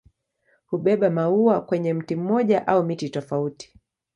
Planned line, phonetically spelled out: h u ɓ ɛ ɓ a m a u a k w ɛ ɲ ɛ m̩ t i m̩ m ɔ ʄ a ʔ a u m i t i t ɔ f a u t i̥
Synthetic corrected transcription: h u ɓ ɛ ɓ a m a u a k w ɛ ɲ ɛ m̩ t i m̩ m ɔ ʄ a ʔ a u m i t i t ɔ f a u t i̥